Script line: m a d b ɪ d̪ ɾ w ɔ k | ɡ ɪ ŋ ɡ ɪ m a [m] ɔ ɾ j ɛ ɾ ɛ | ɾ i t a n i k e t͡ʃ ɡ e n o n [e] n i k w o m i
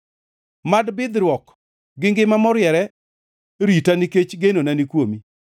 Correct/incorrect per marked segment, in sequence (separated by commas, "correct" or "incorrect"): correct, incorrect